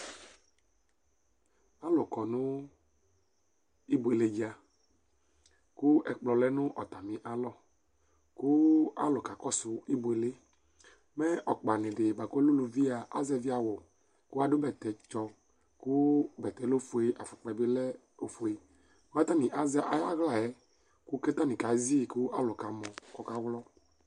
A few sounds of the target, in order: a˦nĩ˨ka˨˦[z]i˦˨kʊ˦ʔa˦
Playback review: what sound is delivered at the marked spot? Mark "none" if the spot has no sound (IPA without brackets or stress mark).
z